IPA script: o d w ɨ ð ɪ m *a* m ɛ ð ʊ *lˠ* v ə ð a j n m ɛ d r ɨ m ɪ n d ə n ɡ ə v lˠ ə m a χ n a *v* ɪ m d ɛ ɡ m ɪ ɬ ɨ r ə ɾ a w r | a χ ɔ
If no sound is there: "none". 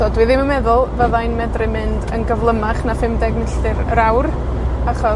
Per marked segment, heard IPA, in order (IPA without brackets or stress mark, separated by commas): ə, lˠ, f